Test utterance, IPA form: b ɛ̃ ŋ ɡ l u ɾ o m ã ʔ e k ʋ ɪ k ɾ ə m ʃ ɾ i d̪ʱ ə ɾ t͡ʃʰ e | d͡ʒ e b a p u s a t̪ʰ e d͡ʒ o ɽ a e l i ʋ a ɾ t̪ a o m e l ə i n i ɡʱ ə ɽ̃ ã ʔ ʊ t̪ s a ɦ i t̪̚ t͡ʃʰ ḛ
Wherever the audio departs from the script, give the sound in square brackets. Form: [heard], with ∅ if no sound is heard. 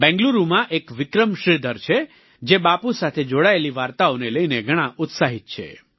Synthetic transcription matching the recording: b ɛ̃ ŋ ɡ l u ɾ [u] m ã ʔ e k ʋ ɪ k ɾ ə m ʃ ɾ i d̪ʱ ə ɾ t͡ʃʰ e | d͡ʒ e b a p u s a t̪ʰ e d͡ʒ o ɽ a e l i ʋ a ɾ t̪ a o [n] e l ə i n [e] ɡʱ ə ɽ̃ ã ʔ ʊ t̪ s a ɦ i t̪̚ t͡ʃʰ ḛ